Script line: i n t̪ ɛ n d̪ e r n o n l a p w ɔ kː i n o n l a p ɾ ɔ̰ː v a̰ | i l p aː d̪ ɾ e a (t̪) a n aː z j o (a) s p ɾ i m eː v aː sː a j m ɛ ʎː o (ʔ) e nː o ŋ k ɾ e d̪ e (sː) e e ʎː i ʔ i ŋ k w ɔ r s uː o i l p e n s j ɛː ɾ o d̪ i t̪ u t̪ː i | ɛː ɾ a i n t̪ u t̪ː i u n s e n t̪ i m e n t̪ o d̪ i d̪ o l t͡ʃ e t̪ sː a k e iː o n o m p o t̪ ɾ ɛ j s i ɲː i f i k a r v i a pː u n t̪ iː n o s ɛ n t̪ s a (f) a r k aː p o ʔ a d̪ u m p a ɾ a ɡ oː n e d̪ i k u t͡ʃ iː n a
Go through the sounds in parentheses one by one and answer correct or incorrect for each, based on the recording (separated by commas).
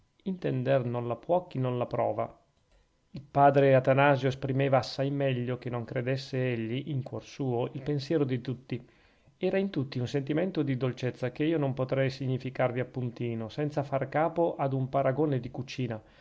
correct, incorrect, incorrect, correct, correct